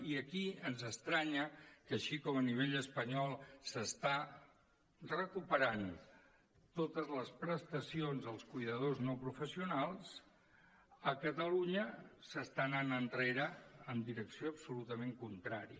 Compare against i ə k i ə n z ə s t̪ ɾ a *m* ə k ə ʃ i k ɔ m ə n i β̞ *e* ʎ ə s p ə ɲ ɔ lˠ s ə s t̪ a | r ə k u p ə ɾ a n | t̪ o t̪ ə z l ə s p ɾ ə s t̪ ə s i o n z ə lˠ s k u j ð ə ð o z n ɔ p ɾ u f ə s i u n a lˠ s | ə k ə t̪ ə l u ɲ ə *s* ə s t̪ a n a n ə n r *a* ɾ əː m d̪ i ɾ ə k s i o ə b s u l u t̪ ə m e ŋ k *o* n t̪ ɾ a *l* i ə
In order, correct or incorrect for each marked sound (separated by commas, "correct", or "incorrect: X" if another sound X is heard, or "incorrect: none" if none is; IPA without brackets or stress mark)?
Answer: incorrect: ɲ, correct, correct, incorrect: e, incorrect: u, incorrect: ɾ